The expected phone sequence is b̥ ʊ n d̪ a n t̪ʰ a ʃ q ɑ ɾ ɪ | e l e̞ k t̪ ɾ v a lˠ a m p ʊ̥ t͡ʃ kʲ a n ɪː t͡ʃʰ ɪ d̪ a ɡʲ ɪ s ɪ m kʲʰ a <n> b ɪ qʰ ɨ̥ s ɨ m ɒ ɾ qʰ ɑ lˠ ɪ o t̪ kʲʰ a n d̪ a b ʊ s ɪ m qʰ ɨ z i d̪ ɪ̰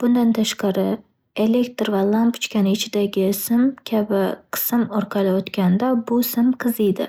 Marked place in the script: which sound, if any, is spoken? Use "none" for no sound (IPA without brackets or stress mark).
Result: none